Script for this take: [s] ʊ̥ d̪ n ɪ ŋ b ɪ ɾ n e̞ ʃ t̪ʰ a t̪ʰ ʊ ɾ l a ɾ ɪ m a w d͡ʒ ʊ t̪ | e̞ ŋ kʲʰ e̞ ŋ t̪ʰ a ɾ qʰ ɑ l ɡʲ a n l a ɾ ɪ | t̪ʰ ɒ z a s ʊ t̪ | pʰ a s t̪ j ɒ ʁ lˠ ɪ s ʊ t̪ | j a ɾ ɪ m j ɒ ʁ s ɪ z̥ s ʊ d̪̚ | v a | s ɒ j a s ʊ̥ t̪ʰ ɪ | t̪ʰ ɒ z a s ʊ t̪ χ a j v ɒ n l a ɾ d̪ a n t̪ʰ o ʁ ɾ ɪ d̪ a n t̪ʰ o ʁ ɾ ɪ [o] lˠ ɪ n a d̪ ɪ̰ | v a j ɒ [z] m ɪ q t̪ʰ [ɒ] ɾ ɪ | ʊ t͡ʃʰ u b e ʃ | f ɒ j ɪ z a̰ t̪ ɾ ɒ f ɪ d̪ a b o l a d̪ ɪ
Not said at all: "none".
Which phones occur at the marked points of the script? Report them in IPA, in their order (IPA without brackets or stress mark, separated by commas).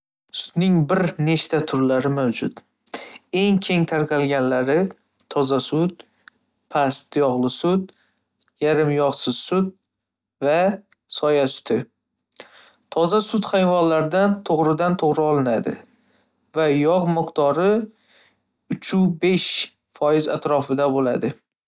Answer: s, ɒ, ʁ, ɒ